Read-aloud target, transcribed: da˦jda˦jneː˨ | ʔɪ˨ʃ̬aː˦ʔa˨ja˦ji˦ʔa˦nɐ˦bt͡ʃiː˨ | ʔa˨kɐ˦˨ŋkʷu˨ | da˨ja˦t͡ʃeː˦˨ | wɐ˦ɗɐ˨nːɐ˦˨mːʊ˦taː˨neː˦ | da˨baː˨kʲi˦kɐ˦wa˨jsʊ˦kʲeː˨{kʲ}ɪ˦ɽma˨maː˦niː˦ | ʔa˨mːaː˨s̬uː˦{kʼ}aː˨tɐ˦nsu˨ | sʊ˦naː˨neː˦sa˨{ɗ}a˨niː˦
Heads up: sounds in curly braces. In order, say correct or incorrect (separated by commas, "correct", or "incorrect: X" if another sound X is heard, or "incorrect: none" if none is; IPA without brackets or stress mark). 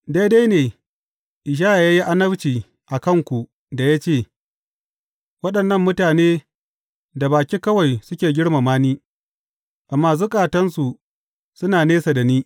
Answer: incorrect: ɡʲ, correct, incorrect: d